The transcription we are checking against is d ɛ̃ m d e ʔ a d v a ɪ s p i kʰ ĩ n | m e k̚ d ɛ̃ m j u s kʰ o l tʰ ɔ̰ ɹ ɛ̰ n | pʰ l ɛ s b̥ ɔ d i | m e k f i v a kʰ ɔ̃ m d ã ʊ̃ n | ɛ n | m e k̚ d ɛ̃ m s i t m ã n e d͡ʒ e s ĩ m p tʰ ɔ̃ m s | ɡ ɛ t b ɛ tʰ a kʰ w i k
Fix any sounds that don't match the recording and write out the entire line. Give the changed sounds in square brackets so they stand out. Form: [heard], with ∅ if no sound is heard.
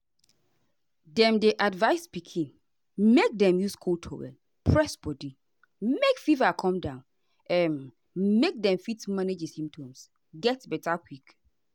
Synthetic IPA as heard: d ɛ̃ m d e ʔ a d v a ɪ s p i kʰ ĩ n | m e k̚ d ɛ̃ m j u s kʰ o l tʰ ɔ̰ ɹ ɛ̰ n | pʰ [ɹ] ɛ s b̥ ɔ d i | m e k f i v a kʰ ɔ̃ m d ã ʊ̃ n | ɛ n | m e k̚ d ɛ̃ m [f] i t m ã n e d͡ʒ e s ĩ m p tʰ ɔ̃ m s | ɡ ɛ t b ɛ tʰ a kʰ w i k